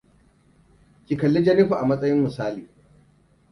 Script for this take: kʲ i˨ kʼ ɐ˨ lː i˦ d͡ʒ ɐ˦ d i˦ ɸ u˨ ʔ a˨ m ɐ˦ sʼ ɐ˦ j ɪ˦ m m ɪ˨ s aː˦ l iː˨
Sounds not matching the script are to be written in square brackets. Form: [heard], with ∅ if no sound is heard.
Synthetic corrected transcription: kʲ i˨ [k] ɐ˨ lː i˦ d͡ʒ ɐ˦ [n] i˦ ɸ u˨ ʔ a˨ m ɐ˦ sʼ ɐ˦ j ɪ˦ m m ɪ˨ s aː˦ l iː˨